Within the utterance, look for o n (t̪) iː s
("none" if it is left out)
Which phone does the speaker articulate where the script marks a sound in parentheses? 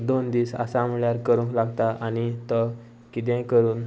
d̪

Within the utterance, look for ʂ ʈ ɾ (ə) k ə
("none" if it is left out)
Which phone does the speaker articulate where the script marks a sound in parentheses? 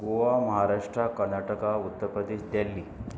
a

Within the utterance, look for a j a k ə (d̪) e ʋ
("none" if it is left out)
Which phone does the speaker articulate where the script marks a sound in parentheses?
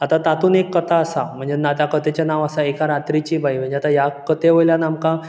t̪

